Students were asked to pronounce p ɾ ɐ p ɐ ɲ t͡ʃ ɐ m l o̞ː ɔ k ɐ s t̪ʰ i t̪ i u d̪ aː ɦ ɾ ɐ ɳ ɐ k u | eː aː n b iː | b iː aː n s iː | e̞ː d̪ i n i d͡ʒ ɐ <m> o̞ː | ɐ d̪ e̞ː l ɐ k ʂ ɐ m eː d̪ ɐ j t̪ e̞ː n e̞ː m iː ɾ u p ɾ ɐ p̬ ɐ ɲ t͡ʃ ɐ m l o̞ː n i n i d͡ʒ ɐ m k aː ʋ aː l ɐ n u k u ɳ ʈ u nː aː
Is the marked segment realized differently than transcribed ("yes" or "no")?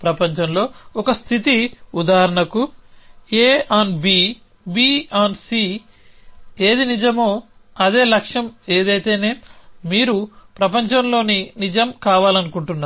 no